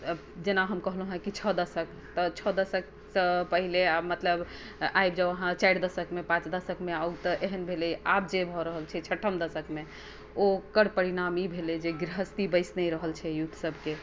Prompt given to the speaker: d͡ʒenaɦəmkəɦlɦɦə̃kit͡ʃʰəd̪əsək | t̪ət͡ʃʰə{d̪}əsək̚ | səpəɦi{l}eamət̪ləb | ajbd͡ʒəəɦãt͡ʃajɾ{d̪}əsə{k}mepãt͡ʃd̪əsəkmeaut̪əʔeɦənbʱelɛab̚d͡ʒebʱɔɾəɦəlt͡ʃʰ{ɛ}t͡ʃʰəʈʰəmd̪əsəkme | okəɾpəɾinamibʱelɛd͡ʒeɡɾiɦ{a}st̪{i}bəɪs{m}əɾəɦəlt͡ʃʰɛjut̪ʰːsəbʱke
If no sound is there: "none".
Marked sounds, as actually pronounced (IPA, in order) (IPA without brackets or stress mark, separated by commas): d̪, l, d̪, k, ɛ, ə, i, n